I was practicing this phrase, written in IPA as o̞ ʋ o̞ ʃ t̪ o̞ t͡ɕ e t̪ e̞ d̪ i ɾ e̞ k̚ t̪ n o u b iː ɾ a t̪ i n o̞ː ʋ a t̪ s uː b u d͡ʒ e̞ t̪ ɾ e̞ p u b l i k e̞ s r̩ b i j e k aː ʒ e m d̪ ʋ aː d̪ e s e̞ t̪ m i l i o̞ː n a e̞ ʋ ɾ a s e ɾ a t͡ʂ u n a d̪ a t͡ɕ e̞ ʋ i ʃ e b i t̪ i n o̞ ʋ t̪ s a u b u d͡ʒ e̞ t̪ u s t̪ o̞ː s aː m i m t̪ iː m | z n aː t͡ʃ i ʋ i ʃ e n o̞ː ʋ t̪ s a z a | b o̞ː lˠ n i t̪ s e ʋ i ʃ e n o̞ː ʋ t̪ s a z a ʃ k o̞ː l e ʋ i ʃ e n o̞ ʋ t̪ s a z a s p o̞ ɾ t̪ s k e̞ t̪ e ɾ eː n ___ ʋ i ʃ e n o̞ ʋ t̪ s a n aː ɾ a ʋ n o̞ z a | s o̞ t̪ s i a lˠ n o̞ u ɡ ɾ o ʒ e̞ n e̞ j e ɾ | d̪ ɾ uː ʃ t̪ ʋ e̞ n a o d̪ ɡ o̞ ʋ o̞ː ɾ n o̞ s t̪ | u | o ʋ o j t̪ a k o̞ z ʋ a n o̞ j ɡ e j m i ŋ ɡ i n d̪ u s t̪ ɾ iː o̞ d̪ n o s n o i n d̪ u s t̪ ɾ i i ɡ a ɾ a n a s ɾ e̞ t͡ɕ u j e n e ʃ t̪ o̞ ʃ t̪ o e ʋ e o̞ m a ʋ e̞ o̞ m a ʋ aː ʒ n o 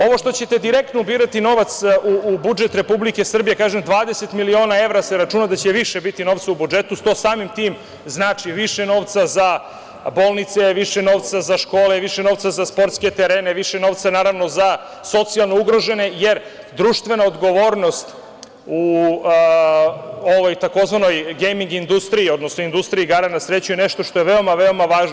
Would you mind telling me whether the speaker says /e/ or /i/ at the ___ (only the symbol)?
e